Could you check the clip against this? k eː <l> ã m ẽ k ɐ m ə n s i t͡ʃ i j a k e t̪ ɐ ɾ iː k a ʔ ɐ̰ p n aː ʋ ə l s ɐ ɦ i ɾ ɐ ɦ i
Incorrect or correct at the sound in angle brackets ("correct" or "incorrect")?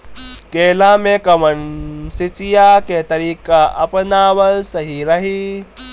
correct